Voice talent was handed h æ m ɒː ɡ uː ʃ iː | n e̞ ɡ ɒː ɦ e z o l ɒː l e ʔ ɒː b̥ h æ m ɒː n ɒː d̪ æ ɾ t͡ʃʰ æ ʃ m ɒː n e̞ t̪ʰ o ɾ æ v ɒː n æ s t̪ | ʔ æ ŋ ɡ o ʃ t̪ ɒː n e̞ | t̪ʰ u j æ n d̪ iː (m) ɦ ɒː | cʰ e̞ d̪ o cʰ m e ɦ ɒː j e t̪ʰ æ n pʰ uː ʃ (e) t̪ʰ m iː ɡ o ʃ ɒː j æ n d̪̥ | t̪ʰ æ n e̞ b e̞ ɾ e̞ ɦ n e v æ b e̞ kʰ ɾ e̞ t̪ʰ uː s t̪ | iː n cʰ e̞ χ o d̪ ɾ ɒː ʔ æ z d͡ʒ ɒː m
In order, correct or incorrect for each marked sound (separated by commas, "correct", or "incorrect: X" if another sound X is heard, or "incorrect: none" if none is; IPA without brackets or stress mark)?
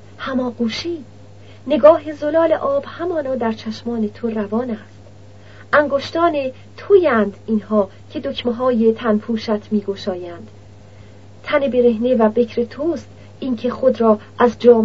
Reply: incorrect: n, incorrect: æ